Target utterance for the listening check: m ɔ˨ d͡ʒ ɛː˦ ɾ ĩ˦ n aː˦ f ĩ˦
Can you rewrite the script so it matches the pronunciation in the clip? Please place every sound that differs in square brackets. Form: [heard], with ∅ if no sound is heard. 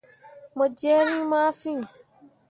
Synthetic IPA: m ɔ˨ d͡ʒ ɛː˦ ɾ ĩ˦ [m] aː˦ f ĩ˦